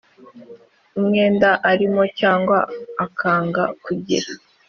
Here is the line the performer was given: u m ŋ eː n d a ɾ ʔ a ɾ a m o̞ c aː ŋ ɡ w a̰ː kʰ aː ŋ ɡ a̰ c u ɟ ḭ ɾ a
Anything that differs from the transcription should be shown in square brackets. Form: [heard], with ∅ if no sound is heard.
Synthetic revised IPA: u m ŋ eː n d a [∅] ʔ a ɾ [i] m o̞ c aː ŋ ɡ w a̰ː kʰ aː ŋ ɡ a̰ [k] u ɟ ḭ ɾ a